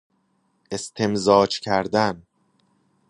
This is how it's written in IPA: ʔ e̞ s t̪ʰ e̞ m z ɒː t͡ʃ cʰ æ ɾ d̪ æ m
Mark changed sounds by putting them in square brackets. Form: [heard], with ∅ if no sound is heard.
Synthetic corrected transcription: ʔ e̞ s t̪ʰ e̞ m z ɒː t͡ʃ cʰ æ ɾ d̪ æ [n]